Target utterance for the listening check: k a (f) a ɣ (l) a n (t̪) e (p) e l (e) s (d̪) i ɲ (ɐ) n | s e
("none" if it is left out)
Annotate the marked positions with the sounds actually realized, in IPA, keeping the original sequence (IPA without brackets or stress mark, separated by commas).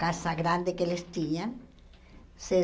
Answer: s, ɾ, d̪, k, e, t̪, a